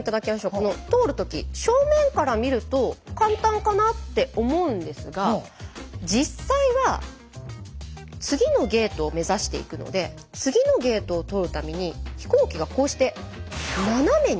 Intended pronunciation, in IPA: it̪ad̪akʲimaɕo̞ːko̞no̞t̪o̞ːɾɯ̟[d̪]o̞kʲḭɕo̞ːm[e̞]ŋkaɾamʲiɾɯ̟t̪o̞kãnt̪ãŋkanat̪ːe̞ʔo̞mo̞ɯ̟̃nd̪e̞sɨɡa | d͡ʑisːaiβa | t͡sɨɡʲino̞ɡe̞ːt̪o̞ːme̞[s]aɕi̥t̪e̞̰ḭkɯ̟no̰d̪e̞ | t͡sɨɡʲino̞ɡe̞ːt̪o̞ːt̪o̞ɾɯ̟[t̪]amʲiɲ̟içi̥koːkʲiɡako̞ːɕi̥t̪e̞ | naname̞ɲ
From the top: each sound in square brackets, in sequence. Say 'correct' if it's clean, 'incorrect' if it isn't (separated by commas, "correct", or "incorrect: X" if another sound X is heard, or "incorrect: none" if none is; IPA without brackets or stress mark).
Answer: incorrect: t̪, incorrect: ẽ̞, incorrect: z, correct